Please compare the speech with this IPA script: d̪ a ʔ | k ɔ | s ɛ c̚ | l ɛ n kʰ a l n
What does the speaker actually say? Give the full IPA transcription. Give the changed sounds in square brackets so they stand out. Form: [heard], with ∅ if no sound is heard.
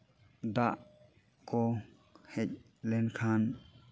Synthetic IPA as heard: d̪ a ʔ | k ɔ | [h] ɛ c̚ | l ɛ n kʰ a [∅] n

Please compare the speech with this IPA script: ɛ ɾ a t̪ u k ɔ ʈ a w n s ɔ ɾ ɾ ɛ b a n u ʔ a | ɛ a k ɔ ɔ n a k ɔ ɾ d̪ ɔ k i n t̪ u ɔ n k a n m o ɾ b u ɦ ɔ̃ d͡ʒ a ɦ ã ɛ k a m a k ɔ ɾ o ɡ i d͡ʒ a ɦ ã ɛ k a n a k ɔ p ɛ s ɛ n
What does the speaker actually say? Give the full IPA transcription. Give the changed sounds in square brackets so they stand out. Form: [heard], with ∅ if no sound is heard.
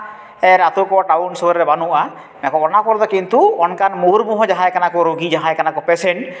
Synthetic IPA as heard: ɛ ɾ a t̪ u k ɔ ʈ a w n s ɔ ɾ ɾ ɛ b a n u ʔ a | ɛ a k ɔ ɔ n a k ɔ ɾ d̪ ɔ k i n t̪ u ɔ n k a n m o ɾ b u ɦ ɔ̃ d͡ʒ a ɦ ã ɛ k a [n] a k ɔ ɾ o ɡ i d͡ʒ a ɦ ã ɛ k a n a k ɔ p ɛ s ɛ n

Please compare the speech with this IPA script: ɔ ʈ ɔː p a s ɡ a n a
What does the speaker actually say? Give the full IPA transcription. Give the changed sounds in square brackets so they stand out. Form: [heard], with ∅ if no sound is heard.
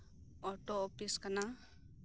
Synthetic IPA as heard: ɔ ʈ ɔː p [i] s [k] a n a

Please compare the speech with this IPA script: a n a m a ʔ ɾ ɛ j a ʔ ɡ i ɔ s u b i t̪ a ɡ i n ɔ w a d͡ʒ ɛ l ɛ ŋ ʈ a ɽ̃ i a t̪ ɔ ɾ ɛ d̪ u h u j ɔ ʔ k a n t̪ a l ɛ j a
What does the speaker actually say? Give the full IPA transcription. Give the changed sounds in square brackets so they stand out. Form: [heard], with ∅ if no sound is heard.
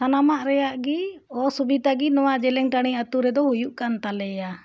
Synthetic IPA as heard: a n a m a ʔ ɾ ɛ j a ʔ ɡ i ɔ s u b i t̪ a ɡ i n ɔ w a d͡ʒ ɛ l ɛ ŋ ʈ a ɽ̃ i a t̪ [u] ɾ ɛ d̪ [ɔ] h u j [u] ʔ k a n t̪ a l ɛ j a

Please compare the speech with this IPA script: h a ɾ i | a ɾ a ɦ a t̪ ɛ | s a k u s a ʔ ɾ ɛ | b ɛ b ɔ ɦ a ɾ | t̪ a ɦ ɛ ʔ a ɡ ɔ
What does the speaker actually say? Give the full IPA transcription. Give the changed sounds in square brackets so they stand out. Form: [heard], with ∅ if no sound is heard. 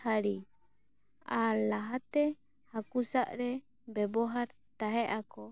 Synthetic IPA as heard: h a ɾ i | a [l] a ɦ a t̪ ɛ | [h] a k u s a ʔ ɾ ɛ | b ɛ b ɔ ɦ a ɾ | t̪ a ɦ ɛ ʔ a [k] ɔ

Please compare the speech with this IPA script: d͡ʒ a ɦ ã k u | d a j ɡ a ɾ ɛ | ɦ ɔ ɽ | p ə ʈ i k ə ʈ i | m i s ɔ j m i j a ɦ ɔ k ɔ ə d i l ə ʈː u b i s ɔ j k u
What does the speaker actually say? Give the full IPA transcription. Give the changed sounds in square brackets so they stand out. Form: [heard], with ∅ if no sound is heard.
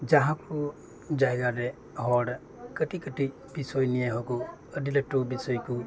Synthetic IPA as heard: d͡ʒ a ɦ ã k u | [d͡ʒ] a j ɡ a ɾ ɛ | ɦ ɔ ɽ | [k] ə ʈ i k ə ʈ i | [b] i s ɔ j [n] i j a ɦ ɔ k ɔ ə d i l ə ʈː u b i s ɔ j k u

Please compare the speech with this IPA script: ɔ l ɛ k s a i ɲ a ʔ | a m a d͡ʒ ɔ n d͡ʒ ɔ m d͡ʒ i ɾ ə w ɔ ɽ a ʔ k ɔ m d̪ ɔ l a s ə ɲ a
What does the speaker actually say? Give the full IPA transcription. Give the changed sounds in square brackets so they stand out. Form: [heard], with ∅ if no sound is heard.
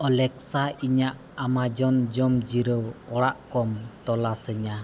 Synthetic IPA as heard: ɔ l ɛ k s a i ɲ a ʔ | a m a d͡ʒ ɔ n d͡ʒ ɔ m d͡ʒ i ɾ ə w ɔ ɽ a ʔ k ɔ m [t̪] ɔ l a s ə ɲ a

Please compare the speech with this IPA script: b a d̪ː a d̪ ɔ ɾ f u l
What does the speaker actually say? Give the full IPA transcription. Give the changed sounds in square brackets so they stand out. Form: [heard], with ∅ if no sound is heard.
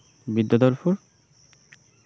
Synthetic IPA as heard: b [i] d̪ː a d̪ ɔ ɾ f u [ɾ]

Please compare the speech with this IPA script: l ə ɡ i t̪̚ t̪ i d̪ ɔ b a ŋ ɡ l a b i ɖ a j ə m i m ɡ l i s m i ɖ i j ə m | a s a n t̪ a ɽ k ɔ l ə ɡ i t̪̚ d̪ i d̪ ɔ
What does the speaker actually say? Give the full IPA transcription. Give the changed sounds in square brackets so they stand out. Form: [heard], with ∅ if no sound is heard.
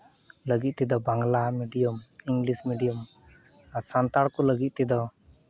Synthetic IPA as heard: l ə ɡ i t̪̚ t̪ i d̪ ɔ b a ŋ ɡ l a [m] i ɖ [i] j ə m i [ŋ] ɡ l i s m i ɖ i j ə m | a s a n t̪ a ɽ k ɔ l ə ɡ i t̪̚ [t̪] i d̪ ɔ

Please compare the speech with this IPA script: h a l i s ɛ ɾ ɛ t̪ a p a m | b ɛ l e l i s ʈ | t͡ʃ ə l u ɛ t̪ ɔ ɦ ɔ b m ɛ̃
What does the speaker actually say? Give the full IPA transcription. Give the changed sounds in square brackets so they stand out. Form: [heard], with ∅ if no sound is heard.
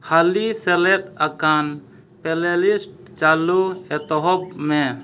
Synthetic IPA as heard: h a l i s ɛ [l] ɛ t̪ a [k] a [n] | [p] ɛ l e l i s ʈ | t͡ʃ [a] l u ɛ t̪ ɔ ɦ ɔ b m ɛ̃

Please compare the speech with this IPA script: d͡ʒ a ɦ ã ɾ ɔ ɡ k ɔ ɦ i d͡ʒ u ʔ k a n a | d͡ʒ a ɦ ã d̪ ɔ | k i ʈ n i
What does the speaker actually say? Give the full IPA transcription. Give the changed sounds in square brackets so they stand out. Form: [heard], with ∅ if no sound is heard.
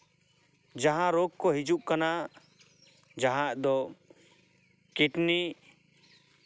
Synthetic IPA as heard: d͡ʒ a ɦ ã ɾ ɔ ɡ k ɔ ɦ i d͡ʒ u ʔ k a n a | d͡ʒ a ɦ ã d̪ ɔ | k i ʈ n i

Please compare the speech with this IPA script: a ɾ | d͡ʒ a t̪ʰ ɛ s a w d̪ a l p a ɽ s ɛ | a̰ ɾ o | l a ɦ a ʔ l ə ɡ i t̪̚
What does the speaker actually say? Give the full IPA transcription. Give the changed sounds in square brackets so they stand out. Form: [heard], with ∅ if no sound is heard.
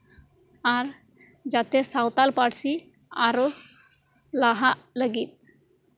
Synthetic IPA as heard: a ɾ | d͡ʒ a [t̪] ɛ s a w [t̪] a l p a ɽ s [i] | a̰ ɾ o | l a ɦ a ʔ l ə ɡ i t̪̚

